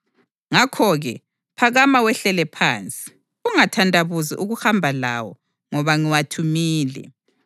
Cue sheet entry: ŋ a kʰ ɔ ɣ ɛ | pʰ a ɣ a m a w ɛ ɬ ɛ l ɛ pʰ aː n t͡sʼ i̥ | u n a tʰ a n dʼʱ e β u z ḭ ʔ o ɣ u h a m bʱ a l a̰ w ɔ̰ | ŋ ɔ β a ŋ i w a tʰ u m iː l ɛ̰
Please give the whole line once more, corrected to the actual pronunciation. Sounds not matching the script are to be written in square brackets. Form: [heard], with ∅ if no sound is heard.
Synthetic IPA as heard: ŋ a kʰ ɔ ɣ ɛ | pʰ a ɣ a m a w ɛ ɬ ɛ l ɛ pʰ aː n t͡sʼ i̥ | u [ŋ] a tʰ a n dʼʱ [a] β u z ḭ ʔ [u] ɣ u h a m bʱ a l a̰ w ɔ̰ | ŋ ɔ β a ŋ i w a tʰ u m iː l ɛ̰